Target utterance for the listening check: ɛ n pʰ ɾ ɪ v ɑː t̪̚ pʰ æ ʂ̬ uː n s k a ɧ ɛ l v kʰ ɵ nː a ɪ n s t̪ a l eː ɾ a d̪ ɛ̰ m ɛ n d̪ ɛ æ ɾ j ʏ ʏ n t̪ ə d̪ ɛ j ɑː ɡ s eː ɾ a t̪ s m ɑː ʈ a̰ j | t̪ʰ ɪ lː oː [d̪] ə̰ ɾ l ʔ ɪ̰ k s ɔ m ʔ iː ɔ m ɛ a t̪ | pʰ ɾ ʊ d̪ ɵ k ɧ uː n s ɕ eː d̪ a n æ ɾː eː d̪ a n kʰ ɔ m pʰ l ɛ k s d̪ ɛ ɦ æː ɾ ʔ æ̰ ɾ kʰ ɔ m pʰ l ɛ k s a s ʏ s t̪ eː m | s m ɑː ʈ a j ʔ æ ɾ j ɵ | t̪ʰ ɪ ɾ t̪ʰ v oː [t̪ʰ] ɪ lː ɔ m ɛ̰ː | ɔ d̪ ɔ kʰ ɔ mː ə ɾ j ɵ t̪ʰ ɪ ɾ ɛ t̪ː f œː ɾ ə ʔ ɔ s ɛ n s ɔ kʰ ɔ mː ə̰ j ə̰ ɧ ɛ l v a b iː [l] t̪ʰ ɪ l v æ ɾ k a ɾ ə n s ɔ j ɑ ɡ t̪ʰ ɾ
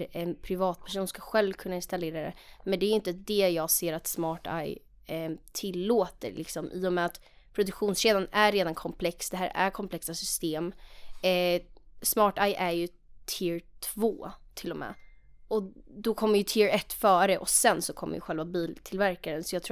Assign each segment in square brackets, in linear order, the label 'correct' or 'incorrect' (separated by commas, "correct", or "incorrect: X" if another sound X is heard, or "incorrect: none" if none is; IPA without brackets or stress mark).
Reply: incorrect: t̪, correct, correct